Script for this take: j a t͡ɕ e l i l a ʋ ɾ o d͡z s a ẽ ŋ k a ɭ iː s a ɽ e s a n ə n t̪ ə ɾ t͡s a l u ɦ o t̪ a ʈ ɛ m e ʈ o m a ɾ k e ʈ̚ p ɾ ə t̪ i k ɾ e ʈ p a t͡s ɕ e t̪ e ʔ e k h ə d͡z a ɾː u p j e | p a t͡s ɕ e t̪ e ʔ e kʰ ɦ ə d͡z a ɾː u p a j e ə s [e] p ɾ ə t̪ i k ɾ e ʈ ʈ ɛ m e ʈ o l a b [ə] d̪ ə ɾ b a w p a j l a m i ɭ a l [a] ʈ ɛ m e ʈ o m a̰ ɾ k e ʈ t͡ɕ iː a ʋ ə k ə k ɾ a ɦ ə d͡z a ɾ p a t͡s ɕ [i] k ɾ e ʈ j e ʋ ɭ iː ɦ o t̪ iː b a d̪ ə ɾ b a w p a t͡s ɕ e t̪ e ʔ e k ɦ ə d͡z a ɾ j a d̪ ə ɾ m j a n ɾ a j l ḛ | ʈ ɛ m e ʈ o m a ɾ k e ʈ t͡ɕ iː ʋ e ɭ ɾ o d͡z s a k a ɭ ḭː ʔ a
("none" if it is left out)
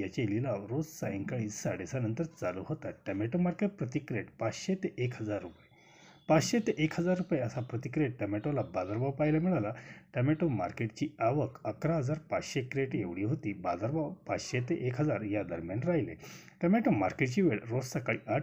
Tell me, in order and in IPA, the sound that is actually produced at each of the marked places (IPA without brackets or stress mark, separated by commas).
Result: a, a, a, e